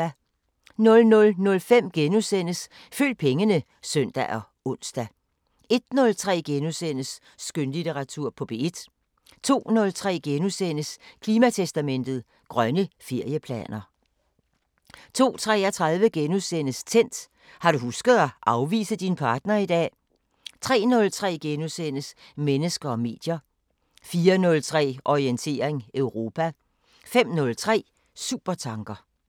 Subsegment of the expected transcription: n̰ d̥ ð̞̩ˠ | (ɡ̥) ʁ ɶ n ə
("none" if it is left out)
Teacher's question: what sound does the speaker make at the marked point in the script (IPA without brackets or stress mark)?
ɡ̥